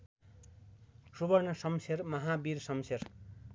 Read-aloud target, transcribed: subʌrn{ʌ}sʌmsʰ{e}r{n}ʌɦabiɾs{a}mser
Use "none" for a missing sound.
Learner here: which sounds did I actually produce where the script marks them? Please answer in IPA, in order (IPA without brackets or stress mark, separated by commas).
ʌ, e, m, ʌ